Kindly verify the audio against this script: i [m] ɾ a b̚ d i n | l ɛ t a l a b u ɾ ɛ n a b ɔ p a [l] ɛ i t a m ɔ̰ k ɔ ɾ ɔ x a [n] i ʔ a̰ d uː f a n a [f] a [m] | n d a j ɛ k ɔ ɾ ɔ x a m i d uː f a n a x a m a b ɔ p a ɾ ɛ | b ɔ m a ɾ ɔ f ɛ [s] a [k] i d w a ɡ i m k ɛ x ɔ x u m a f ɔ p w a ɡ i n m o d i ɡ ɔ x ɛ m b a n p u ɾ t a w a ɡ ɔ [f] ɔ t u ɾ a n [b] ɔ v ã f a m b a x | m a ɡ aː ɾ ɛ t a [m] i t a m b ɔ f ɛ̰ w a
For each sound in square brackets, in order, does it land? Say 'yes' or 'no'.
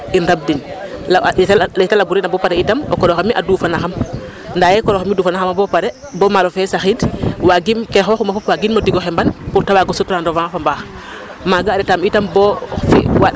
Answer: no, no, no, no, yes, yes, no, no, no, yes

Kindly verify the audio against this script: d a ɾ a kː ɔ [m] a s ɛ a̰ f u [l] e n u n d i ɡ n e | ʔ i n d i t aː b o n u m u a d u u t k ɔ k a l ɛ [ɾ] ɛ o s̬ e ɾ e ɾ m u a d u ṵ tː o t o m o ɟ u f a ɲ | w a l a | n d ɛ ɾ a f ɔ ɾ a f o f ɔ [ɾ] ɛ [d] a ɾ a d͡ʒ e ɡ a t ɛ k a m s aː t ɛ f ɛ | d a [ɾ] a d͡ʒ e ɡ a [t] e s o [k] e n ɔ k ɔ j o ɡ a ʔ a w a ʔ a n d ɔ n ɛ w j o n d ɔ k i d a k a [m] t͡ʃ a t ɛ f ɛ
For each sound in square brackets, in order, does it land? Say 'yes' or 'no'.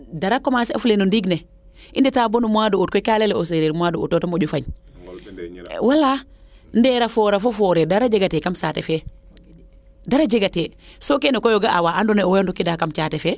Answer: yes, yes, no, yes, yes, yes, yes, yes, yes

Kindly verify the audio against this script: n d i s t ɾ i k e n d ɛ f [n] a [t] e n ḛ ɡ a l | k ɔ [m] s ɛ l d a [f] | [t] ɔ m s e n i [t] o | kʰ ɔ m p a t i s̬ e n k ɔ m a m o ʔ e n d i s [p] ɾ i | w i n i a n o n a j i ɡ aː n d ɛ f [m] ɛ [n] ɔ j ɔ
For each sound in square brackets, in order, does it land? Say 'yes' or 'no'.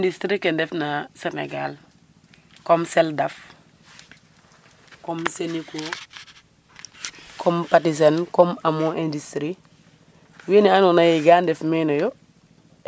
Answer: yes, no, yes, yes, no, no, no, yes, yes

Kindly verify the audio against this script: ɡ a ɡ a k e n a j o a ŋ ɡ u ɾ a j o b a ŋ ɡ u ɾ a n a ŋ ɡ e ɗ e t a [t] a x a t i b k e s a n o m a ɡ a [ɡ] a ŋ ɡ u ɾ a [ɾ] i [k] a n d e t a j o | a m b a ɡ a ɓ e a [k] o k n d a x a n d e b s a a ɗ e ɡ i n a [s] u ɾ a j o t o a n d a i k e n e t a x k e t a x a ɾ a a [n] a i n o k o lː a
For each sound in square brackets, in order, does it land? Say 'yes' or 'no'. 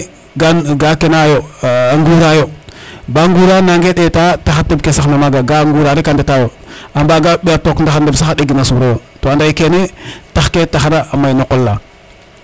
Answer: yes, yes, yes, yes, no, yes, no

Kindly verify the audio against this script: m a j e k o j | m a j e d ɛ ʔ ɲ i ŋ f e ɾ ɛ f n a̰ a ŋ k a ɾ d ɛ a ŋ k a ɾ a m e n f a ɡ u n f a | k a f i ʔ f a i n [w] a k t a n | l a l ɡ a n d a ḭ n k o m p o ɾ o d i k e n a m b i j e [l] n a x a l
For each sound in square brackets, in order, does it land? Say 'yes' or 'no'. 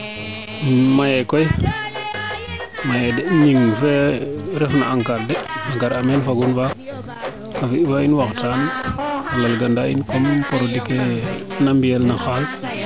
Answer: yes, yes

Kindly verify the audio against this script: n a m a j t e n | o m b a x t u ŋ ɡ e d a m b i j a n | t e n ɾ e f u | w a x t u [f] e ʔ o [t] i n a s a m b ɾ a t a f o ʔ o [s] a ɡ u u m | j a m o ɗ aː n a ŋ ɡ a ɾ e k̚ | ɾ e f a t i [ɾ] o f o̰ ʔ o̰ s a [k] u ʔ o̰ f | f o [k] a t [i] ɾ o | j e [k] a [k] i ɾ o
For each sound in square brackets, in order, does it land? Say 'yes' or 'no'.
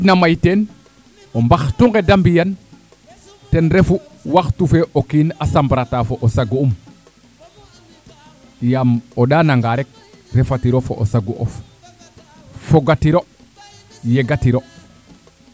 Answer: yes, no, yes, yes, no, no, yes, no, no

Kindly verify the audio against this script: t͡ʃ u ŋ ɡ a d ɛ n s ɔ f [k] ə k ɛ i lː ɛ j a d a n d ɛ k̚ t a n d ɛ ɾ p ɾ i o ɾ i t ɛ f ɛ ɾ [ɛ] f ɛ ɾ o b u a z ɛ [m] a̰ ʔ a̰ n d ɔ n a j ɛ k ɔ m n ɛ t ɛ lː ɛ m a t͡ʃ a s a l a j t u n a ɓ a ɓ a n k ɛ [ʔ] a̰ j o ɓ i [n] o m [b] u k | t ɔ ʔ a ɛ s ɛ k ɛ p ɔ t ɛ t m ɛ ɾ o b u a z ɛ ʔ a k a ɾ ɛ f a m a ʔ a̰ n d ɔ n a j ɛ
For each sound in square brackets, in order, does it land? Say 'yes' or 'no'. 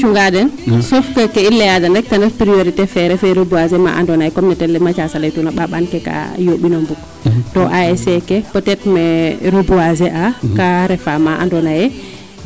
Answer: yes, yes, yes, no, yes, yes

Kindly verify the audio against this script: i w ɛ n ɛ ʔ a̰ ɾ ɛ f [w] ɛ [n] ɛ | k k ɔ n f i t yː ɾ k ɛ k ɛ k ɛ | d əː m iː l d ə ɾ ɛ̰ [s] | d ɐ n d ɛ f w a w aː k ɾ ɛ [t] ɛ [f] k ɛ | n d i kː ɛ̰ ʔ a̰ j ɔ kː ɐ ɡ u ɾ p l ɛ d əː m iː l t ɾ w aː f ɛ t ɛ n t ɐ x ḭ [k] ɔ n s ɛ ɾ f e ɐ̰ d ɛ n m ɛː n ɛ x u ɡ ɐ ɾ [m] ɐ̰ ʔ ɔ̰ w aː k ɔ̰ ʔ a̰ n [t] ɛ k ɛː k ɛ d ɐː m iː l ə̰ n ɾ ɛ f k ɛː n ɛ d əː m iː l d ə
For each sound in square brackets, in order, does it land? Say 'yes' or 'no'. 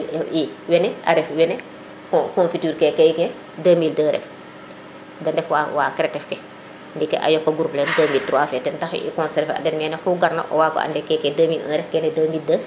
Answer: yes, yes, no, yes, yes, yes, no, no

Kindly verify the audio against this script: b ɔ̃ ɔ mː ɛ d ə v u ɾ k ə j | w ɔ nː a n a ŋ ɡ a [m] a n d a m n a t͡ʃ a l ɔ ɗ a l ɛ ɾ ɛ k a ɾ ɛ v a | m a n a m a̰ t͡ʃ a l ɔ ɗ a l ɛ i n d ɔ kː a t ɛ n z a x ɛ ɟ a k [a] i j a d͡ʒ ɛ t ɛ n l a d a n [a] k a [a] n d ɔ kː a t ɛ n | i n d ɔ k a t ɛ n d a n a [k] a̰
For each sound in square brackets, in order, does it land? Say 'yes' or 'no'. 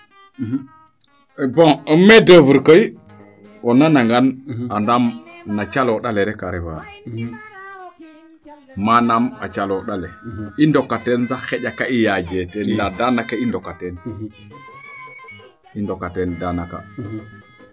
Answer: no, yes, yes, no, yes

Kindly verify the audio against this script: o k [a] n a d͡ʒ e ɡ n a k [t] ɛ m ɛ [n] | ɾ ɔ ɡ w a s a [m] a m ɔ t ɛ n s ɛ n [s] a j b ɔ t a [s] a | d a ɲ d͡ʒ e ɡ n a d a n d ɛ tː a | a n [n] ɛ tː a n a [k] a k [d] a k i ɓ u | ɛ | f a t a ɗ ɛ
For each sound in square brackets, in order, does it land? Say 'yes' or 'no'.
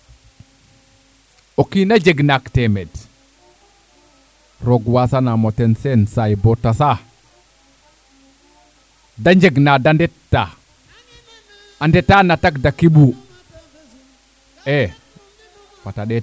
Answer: no, yes, no, no, yes, yes, no, no, yes

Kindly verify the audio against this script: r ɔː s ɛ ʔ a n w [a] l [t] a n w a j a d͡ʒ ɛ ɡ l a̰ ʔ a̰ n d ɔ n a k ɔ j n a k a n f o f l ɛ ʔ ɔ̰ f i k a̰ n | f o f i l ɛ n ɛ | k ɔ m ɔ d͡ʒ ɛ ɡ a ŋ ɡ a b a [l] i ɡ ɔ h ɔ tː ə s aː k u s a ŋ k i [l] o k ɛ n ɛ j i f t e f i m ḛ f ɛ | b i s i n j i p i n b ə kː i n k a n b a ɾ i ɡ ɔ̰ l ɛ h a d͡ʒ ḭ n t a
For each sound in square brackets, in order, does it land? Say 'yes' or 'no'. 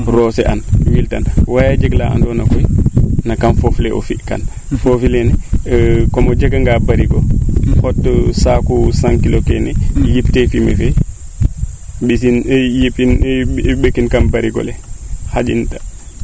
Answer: no, yes, no, yes

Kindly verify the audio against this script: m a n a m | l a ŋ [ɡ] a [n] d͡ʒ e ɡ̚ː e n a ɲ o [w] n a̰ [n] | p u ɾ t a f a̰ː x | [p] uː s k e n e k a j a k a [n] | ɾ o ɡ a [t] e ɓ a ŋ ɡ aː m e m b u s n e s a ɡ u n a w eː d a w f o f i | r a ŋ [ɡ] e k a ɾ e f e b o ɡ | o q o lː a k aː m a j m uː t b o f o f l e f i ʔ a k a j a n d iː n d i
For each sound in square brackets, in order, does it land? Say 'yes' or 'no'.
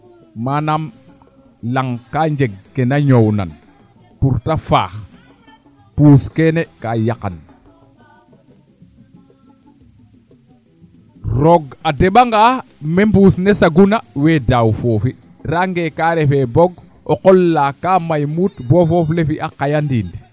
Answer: no, no, yes, yes, yes, yes, no, yes

